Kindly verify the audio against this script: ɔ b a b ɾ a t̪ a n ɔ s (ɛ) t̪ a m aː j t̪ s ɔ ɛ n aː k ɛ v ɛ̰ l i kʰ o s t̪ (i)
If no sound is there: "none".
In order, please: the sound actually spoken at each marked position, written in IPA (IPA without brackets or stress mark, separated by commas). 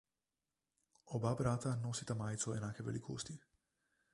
i, i